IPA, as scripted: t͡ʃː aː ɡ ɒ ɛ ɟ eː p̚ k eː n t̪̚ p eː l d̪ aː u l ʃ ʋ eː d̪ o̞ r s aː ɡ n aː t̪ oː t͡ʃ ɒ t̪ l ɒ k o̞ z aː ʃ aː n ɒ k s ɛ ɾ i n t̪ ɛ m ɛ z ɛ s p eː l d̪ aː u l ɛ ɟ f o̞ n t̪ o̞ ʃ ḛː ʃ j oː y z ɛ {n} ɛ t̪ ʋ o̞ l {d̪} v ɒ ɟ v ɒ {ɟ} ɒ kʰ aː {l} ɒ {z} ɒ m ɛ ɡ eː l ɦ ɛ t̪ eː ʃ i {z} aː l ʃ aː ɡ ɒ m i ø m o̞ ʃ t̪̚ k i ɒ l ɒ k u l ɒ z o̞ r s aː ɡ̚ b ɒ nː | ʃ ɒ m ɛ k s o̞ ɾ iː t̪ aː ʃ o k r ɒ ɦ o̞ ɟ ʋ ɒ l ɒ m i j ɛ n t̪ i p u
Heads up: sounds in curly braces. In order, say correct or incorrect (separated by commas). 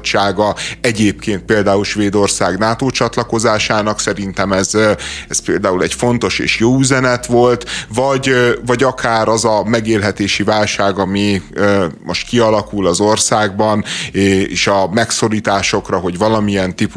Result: correct, incorrect, correct, incorrect, correct, incorrect